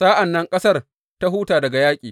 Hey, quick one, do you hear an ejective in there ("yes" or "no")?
yes